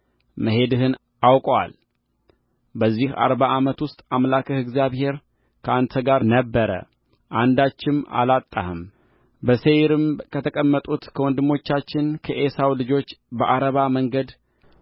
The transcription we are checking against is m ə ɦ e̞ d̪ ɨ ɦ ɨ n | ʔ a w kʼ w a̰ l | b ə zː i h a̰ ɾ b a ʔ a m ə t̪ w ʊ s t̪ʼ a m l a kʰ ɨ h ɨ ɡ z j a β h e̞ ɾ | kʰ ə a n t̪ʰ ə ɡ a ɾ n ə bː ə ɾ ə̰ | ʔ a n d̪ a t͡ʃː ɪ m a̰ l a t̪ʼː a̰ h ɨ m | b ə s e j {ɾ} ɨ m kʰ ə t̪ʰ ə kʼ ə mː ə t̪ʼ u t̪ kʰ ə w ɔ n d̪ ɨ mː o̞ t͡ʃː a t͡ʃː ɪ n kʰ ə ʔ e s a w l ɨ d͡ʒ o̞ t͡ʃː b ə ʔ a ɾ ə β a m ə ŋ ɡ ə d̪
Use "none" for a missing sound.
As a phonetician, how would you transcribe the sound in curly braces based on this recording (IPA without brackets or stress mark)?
ɾ